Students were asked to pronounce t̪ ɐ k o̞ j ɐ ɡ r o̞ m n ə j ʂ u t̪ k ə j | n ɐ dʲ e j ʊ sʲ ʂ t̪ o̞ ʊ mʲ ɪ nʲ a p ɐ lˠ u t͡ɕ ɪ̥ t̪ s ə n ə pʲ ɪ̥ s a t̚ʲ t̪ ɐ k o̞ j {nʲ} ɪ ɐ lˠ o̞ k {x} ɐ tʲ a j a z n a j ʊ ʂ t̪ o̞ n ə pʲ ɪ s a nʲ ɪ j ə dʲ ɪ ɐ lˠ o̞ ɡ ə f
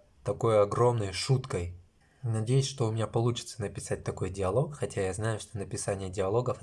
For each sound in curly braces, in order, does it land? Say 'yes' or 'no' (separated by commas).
no, yes